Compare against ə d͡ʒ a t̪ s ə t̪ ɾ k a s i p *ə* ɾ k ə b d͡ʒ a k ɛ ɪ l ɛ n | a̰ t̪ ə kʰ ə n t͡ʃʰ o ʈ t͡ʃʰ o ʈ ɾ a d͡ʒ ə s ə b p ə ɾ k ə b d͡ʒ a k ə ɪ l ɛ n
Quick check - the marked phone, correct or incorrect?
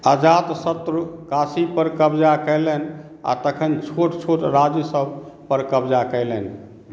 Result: correct